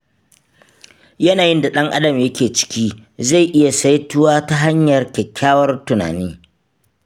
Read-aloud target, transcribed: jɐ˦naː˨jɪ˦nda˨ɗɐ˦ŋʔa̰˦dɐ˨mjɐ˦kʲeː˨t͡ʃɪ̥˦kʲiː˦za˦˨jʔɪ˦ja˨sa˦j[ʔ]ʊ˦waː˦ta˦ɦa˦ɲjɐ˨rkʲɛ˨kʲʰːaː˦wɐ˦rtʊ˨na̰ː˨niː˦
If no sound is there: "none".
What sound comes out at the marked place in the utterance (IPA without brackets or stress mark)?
t